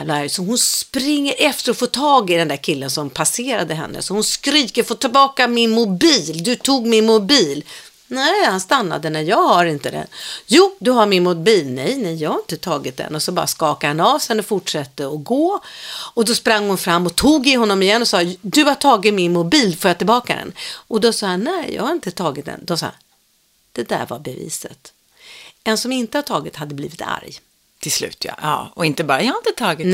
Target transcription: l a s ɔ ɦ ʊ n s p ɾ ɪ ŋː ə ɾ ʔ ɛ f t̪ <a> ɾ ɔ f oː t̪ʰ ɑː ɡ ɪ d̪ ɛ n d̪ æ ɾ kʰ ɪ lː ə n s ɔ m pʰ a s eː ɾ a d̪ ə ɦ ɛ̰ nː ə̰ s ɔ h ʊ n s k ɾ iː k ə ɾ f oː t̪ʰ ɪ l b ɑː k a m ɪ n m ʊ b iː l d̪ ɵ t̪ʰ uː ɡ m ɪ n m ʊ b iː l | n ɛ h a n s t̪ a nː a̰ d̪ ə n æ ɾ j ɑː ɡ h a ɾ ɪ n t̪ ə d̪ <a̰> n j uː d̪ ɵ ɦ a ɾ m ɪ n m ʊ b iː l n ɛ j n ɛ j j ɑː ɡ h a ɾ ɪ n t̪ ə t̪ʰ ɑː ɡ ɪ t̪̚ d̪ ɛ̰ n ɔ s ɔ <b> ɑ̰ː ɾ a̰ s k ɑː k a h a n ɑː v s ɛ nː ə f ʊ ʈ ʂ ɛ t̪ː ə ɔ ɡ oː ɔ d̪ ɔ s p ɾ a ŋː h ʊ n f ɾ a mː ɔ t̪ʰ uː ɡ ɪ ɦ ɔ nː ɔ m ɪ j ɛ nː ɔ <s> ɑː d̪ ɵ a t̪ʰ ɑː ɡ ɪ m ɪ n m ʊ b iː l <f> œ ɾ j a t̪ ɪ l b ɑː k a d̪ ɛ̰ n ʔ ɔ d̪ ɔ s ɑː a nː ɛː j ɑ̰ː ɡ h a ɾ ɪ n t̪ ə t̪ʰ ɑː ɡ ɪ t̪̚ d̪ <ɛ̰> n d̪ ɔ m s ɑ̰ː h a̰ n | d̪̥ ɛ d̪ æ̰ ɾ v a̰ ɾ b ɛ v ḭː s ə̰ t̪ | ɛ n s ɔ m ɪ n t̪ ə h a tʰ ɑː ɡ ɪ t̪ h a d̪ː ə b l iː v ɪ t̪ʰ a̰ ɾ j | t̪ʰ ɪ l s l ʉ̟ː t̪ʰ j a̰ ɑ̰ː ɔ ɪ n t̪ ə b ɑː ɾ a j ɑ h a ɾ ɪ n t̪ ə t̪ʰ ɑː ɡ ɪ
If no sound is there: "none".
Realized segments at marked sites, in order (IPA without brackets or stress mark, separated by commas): ə, ɛ̰, b, s, f, ɛ̰